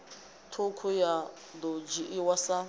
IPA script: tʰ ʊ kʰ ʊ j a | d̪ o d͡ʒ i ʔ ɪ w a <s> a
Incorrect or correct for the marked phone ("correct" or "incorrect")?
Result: correct